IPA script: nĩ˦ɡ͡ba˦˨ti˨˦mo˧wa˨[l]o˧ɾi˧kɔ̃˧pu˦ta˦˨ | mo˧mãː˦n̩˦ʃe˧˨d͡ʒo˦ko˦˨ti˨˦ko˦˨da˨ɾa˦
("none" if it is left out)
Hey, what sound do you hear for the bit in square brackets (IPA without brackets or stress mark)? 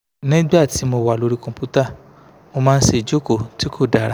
l